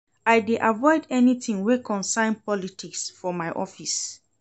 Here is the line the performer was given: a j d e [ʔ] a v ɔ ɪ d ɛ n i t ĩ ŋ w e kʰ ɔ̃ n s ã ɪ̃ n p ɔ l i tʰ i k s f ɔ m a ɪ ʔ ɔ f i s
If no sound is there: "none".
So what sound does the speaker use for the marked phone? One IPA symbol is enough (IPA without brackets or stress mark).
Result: ʔ